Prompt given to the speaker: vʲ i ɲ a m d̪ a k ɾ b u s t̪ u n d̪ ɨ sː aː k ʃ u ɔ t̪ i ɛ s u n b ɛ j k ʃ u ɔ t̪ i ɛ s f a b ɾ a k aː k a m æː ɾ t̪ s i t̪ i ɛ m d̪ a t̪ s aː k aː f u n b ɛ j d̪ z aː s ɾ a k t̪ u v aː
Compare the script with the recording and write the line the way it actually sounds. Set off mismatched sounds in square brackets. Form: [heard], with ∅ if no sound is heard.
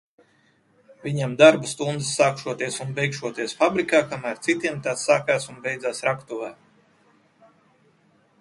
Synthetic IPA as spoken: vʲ i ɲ a m d̪ a [∅] ɾ b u s t̪ u n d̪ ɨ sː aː k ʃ u ɔ t̪ i ɛ s u n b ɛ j k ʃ u ɔ t̪ i ɛ s f a b ɾ [i] k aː k a m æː ɾ t̪ s i t̪ i ɛ m [t̪] a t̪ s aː k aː [s] u n b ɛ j d̪ z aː s ɾ a k t̪ u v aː